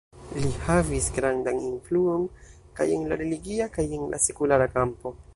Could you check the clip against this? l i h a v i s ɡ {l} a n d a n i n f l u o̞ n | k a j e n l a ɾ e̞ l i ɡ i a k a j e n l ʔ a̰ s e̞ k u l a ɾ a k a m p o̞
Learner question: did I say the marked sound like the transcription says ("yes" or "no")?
no